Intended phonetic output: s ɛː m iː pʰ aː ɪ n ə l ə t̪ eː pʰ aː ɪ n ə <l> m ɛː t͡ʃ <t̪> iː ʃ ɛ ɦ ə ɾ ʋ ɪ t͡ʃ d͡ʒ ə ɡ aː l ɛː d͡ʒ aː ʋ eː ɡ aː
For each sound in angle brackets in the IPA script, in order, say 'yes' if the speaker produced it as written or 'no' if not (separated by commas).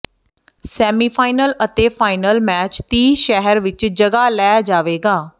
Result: yes, yes